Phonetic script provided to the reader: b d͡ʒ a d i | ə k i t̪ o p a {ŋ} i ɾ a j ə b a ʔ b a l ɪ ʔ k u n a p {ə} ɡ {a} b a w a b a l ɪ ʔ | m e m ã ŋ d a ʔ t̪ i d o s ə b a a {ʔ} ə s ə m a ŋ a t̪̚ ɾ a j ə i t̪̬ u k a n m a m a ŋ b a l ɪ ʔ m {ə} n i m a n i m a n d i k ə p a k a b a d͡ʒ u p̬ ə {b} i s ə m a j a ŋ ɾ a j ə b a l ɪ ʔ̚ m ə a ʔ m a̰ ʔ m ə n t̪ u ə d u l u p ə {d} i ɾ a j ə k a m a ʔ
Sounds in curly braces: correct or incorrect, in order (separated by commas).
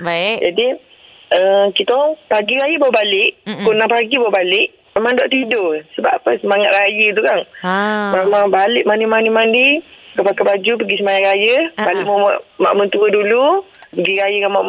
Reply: incorrect, incorrect, incorrect, incorrect, incorrect, incorrect, incorrect